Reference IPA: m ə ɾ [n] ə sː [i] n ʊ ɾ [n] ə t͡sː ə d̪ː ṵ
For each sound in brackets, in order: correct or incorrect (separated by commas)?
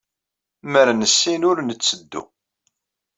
correct, correct, correct